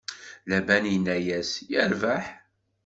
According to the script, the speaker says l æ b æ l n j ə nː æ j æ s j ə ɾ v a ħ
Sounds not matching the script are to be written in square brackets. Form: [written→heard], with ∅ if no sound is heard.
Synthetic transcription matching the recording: l æ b æ [l→∅] n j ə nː æ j æ s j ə ɾ v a ħ